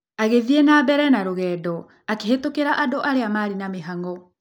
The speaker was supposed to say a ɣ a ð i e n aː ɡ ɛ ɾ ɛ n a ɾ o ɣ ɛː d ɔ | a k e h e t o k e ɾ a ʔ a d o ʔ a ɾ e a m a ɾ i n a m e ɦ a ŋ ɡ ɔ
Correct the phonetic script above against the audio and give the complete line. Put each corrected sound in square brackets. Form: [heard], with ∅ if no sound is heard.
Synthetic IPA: a ɣ [e] ð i e n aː [b] ɛ ɾ ɛ n a ɾ o ɣ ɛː d ɔ | a k e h e t o k e ɾ a ʔ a d o ʔ a ɾ e a m a ɾ i n a m e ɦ a ŋ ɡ ɔ